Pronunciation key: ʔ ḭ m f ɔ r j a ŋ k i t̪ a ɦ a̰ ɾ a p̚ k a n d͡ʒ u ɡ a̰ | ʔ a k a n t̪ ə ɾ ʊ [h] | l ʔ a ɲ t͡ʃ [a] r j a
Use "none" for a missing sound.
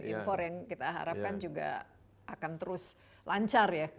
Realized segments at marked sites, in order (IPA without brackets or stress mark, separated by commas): s, a